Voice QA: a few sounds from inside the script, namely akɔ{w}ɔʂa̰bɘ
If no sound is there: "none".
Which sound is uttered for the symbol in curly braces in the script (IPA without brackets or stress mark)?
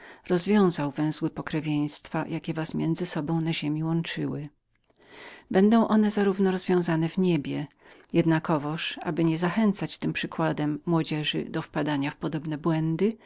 v